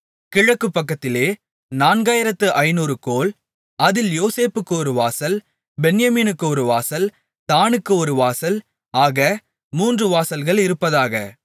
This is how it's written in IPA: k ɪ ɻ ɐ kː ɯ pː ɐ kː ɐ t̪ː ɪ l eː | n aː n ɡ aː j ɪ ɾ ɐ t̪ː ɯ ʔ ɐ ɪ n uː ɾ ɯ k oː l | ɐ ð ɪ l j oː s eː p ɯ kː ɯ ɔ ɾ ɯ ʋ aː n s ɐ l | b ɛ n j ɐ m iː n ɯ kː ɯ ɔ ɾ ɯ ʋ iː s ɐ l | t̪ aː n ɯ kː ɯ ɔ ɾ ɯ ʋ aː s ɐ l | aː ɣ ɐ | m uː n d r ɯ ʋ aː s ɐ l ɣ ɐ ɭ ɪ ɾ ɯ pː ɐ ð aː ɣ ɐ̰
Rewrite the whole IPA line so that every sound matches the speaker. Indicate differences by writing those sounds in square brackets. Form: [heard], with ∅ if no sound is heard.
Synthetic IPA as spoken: k ɪ ɻ ɐ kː ɯ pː ɐ kː ɐ t̪ː ɪ l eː | n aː n ɡ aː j ɪ ɾ ɐ t̪ː ɯ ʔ ɐ ɪ n uː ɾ ɯ k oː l | ɐ ð ɪ l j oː s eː p ɯ kː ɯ ɔ ɾ ɯ ʋ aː [∅] s ɐ l | b ɛ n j ɐ m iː n ɯ kː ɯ ɔ ɾ ɯ ʋ [aː] s ɐ l | t̪ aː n ɯ kː ɯ ɔ ɾ ɯ ʋ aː s ɐ l | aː ɣ ɐ | m uː n d r ɯ ʋ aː s ɐ l ɣ ɐ ɭ ɪ ɾ ɯ pː ɐ ð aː ɣ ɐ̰

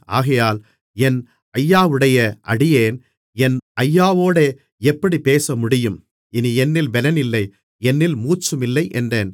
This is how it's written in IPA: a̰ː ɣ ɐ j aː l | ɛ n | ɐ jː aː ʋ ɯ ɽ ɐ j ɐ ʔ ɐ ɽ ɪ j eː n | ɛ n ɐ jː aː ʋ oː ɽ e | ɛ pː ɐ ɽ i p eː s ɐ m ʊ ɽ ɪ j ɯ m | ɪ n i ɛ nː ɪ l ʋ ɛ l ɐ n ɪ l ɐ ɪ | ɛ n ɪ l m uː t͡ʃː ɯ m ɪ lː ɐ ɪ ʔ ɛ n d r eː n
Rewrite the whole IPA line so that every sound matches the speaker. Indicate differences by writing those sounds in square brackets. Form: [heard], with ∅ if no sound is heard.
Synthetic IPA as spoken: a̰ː ɣ ɐ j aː l | ɛ n | ɐ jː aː ʋ ɯ ɽ ɐ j ɐ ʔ ɐ ɽ ɪ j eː n | ɛ n ɐ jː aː ʋ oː ɽ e | ɛ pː ɐ ɽ i p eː s ɐ m ʊ ɽ ɪ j ɯ m | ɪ n i ɛ nː ɪ l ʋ ɛ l ɐ n ɪ [lː] ɐ ɪ | ɛ [nː] ɪ l m uː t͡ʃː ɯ m ɪ lː ɐ ɪ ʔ ɛ n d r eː n

